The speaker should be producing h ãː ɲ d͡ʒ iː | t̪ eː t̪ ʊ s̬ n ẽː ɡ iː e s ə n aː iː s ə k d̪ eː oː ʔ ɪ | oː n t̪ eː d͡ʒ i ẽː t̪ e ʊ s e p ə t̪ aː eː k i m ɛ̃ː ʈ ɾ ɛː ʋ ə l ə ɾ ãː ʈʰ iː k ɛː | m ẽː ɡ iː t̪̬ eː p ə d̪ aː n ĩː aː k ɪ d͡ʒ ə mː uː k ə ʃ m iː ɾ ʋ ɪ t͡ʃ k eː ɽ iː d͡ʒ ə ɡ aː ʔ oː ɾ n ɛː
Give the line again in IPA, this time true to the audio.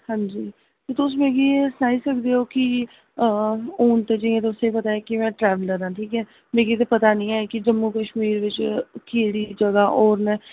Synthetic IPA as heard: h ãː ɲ d͡ʒ iː | t̪ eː t̪ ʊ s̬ m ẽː ɡ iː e s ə n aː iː s ə k d̪ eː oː k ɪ | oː n t̪ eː d͡ʒ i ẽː t̪ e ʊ s e p ə t̪ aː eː k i m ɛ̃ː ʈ ɾ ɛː ʋ ə l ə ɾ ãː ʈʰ iː k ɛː | m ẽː ɡ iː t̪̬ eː p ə t̪ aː n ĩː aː k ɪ d͡ʒ ə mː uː k ə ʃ m iː ɾ ʋ ɪ t͡ʃ k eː ɽ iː d͡ʒ ə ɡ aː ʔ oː ɾ n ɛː